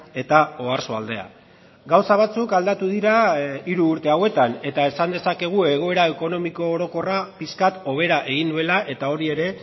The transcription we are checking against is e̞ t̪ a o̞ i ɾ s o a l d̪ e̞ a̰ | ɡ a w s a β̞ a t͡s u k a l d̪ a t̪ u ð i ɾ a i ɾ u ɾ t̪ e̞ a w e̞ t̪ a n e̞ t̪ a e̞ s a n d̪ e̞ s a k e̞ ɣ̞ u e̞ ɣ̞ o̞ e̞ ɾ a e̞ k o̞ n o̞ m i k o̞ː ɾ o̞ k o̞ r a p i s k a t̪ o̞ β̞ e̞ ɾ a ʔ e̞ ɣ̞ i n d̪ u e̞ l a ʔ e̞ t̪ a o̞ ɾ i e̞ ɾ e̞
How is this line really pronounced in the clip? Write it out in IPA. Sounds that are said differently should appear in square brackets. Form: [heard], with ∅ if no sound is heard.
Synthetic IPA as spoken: e̞ t̪ a o̞ [a] ɾ s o a l d̪ e̞ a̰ | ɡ a w s a β̞ a t͡s u k a l d̪ a t̪ u ð i ɾ a i ɾ [uː] ɾ t̪ e̞ a w e̞ t̪ a n e̞ t̪ a e̞ s a n d̪ e̞ s a k e̞ ɣ̞ u e̞ ɣ̞ o̞ e̞ ɾ a e̞ k o̞ n o̞ m i k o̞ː ɾ o̞ k o̞ r a p i s k a t̪ o̞ β̞ e̞ ɾ a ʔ e̞ ɣ̞ i n d̪ u e̞ l a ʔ e̞ t̪ a o̞ ɾ i e̞ ɾ e̞